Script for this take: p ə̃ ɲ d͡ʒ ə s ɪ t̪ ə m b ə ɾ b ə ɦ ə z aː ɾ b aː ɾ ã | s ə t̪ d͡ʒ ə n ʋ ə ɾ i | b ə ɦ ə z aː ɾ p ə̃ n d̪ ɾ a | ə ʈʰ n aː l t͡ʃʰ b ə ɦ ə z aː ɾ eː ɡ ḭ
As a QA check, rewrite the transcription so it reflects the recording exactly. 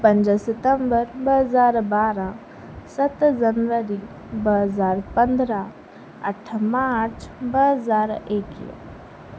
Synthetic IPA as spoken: p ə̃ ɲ d͡ʒ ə s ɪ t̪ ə m b ə ɾ b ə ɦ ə z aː ɾ b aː ɾ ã | s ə t̪ d͡ʒ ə n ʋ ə ɾ i | b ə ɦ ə z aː ɾ p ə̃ n d̪ ɾ a | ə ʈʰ m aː ɾ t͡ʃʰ b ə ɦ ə z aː ɾ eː k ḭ